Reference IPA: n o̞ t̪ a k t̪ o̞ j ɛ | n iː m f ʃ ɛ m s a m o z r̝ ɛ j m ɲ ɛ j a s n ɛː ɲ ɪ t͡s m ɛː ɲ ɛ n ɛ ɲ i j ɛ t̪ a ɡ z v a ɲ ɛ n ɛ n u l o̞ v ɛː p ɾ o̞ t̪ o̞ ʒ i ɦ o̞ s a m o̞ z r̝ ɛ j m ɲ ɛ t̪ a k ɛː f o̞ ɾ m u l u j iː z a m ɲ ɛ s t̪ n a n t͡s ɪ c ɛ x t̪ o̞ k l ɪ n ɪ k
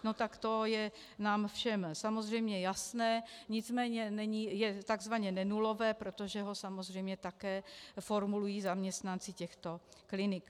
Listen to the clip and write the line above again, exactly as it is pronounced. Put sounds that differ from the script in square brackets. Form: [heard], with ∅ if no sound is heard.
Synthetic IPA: n o̞ t̪ a k t̪ o̞ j ɛ | n [aː] m f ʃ ɛ m s a m o z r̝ ɛ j m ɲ ɛ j a s n ɛː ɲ ɪ t͡s m ɛː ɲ ɛ n ɛ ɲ i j ɛ t̪ a ɡ z v a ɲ ɛ n ɛ n u l o̞ v ɛː p ɾ o̞ t̪ o̞ ʒ [ɛ] ɦ o̞ s a m o̞ z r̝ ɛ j m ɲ ɛ t̪ a k ɛː f o̞ ɾ m u l u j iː z a m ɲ ɛ s t̪ n a n t͡s ɪ c ɛ x t̪ o̞ k l ɪ n ɪ k